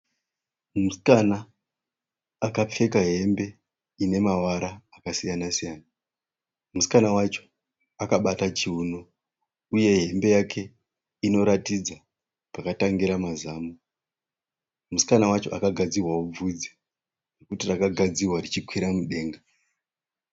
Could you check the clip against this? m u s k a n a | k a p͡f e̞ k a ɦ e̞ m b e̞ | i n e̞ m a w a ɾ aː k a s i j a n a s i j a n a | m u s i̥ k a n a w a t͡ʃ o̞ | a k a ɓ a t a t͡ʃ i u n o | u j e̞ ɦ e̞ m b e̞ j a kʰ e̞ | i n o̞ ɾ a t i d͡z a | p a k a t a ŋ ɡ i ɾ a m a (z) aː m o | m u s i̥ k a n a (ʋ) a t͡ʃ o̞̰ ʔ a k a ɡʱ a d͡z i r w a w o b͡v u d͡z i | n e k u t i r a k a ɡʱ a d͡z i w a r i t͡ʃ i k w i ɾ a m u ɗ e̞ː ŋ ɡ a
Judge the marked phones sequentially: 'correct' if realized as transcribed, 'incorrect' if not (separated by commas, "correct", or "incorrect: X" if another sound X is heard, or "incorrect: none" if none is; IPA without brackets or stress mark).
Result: correct, incorrect: w